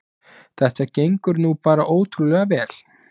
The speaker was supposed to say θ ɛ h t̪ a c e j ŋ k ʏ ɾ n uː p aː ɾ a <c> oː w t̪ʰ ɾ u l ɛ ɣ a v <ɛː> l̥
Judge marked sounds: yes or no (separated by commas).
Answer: no, yes